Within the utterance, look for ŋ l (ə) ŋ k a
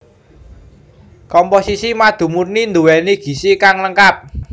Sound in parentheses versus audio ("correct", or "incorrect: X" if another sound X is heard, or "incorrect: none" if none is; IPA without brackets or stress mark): correct